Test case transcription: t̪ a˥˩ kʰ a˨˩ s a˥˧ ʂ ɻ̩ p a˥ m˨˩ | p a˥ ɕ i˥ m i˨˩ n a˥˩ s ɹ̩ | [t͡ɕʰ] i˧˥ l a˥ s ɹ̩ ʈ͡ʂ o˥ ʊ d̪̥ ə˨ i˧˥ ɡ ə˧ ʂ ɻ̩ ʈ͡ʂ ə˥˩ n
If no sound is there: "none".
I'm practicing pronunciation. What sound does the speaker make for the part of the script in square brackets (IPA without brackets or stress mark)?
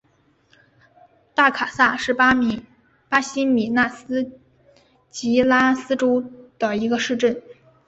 t͡ɕ